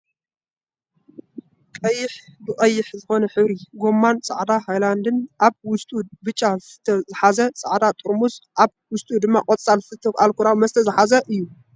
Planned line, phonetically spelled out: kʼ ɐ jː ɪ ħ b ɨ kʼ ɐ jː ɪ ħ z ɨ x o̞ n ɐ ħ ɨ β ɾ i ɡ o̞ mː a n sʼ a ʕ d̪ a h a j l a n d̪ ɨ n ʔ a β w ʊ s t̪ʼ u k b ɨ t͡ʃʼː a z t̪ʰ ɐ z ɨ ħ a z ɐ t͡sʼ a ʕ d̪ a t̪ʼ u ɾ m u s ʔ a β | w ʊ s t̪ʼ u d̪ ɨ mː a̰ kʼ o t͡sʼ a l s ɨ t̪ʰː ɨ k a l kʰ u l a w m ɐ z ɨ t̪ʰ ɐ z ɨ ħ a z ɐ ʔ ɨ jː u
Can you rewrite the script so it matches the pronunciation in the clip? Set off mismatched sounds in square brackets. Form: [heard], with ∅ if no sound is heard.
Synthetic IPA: kʼ ɐ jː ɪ ħ b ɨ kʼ ɐ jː ɪ ħ z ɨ x o̞ n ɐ ħ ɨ β ɾ i ɡ o̞ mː a n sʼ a ʕ d̪ a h a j l a n d̪ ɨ n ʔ a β w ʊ s t̪ʼ u [∅] b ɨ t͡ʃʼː a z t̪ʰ ɐ z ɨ ħ a z ɐ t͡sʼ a ʕ d̪ a t̪ʼ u ɾ m u s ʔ a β | w ʊ s t̪ʼ u d̪ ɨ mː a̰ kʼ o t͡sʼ a l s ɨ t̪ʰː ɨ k a l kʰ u [ɾ] a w m ɐ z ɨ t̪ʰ ɐ z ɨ ħ a z ɐ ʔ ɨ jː u